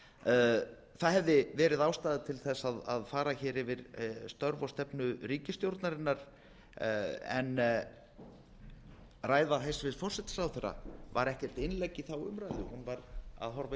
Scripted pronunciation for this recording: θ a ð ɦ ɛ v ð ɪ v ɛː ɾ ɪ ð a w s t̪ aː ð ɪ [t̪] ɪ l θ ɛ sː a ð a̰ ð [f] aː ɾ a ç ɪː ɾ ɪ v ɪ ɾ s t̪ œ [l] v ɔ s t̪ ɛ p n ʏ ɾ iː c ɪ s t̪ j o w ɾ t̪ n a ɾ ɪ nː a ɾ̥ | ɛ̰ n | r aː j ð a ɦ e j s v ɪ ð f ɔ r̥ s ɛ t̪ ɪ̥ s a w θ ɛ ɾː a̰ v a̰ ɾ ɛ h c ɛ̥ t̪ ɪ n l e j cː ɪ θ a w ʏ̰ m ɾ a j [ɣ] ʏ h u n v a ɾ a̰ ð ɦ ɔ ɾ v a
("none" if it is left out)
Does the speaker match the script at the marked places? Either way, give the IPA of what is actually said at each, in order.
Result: t̪ʰ, f, ɾ, ð

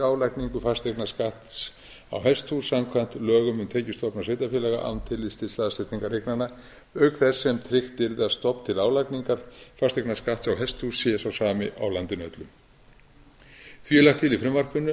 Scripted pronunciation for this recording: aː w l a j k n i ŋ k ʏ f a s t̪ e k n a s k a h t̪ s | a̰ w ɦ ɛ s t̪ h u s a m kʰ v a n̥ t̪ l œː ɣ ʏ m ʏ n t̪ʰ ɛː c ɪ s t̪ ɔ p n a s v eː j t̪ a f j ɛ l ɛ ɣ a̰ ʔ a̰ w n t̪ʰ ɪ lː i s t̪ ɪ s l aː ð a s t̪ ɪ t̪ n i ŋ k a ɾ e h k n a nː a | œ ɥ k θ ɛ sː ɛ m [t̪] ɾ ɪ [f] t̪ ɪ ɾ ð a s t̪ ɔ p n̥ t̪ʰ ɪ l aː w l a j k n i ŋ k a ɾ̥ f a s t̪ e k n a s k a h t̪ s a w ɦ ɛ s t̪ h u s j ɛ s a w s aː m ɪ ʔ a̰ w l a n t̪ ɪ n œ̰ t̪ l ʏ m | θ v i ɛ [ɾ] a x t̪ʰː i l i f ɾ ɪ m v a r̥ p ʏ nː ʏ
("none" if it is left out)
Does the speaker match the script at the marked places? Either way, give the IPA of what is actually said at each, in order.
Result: t̪ʰ, x, l

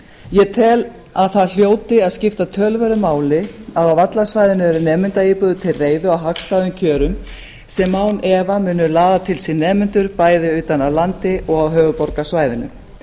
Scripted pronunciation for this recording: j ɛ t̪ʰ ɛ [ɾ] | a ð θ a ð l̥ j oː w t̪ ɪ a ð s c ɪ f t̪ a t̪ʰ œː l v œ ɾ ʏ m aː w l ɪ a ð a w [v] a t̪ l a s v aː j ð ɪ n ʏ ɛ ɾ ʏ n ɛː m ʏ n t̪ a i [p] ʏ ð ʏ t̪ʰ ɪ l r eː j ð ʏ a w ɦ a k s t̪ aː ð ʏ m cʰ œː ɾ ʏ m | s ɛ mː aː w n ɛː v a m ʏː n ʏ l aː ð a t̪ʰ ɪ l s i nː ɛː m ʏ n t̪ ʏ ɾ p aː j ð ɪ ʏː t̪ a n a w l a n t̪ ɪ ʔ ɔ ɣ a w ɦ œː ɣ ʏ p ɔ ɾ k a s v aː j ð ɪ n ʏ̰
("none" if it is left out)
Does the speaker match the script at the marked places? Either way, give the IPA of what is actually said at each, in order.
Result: l, v, p

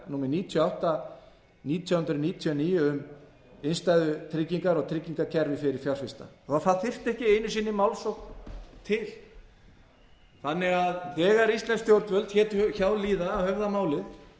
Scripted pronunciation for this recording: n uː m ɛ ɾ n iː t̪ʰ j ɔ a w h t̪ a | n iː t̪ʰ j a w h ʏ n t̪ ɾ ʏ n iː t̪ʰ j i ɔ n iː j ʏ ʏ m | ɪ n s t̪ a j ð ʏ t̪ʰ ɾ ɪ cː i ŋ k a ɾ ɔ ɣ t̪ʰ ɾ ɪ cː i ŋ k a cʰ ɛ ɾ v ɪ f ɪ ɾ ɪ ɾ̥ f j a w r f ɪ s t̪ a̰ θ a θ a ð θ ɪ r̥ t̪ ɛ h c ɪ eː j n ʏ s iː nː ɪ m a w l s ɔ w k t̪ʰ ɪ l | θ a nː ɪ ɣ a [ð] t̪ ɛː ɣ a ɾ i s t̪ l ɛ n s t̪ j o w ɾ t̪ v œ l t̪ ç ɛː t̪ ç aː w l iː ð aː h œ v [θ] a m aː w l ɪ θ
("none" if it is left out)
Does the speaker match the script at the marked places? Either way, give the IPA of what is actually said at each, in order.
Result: ð, ð

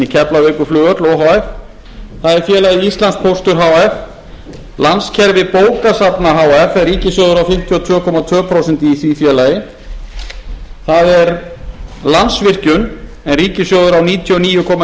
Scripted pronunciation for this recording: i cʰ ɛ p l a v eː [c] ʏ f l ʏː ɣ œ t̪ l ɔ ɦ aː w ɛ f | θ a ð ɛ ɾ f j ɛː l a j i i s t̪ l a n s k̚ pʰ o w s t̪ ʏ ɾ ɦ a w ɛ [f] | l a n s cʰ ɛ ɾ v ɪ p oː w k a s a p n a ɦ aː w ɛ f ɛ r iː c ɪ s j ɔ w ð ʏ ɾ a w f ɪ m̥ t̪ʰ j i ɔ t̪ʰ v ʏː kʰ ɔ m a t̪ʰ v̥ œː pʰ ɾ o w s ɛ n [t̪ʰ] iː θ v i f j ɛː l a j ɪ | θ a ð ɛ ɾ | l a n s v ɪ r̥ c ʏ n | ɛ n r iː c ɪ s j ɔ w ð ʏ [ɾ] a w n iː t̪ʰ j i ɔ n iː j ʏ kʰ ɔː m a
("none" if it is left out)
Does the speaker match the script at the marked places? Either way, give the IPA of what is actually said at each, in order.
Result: k, f, t̪, ɾ

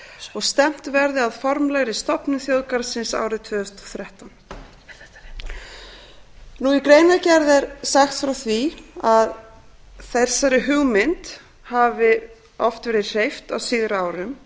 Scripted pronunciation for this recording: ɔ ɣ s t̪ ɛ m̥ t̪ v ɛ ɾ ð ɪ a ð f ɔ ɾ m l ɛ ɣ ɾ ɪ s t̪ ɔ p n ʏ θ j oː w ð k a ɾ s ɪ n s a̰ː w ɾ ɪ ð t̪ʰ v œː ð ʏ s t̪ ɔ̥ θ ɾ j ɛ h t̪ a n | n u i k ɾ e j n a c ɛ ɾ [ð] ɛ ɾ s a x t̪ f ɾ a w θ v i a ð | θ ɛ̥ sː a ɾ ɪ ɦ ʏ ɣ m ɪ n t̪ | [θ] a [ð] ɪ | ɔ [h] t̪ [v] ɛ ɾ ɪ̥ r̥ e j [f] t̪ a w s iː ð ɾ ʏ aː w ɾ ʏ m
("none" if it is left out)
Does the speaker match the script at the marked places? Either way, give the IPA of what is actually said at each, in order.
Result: ð, h, v, f, v, f

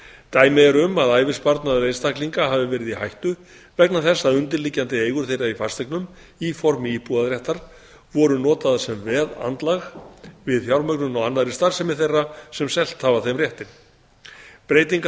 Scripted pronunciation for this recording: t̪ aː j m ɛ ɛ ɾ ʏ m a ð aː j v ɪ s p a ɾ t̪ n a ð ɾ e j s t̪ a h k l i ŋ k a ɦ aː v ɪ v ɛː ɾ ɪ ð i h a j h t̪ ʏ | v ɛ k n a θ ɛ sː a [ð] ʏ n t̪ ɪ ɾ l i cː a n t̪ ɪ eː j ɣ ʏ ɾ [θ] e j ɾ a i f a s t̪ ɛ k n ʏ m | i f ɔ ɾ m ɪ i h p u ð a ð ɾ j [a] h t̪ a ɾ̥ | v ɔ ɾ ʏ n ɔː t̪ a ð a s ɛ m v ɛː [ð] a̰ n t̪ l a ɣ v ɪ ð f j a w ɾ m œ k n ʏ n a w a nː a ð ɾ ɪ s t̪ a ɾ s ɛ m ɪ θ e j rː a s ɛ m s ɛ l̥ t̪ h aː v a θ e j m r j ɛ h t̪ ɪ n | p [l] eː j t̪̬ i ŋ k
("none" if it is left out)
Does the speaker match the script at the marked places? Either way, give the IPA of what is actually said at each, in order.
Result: ð, θ, ɛ, ð, ɾ

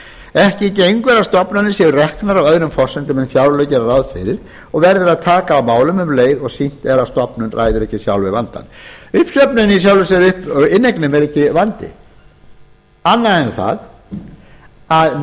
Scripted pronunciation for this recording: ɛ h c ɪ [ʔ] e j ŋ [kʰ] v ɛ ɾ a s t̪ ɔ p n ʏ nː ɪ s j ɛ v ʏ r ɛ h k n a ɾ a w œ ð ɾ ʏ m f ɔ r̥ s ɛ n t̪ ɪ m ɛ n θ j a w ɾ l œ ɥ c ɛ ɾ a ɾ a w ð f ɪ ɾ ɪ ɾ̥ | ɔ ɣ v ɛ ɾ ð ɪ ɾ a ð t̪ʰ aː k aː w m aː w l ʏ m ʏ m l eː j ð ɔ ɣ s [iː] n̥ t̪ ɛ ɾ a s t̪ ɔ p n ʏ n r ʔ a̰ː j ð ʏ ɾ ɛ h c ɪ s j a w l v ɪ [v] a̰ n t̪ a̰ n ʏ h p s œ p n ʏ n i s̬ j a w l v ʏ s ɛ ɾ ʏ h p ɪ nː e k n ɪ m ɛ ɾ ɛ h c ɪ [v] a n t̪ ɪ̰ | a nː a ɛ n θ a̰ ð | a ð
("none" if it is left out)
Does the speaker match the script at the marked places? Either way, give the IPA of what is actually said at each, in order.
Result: c, k, i, v, v

